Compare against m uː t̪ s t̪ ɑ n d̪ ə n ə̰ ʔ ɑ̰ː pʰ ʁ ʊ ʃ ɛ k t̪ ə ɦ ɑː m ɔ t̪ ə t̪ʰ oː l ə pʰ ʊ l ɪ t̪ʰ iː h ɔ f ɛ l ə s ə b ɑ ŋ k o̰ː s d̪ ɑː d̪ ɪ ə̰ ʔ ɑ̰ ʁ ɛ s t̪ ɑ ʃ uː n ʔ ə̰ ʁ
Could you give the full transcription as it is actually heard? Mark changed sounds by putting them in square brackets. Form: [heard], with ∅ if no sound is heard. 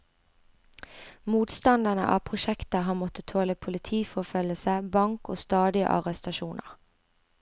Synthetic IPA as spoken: m uː t̪ s t̪ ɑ n d̪ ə n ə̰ ʔ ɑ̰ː pʰ ʁ ʊ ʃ ɛ k t̪ ə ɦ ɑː m ɔ t̪ ə t̪ʰ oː l ə pʰ ʊ l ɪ t̪ʰ iː [f] ɔ f [œ] l ə s ə b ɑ ŋ k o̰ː s [t̪] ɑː d̪ ɪ ə̰ ʔ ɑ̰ ʁ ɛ s t̪ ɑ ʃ uː n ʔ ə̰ ʁ